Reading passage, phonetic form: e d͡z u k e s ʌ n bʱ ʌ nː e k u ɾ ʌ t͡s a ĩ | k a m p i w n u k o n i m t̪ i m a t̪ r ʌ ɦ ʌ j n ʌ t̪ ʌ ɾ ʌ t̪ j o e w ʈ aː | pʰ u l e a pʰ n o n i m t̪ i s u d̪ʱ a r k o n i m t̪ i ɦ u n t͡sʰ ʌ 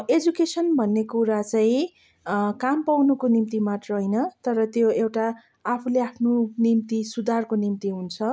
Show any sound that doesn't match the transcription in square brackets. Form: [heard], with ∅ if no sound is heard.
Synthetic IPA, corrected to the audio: e d͡z u k e s ʌ n bʱ ʌ nː e k u ɾ [a] t͡s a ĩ | k a m p [a] w n u k o n i m t̪ i m a t̪ r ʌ ɦ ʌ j n ʌ t̪ ʌ ɾ ʌ t̪ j o e w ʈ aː | pʰ u l e a pʰ n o n i m t̪ i s u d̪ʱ a r k o n i m t̪ i ɦ u n t͡sʰ ʌ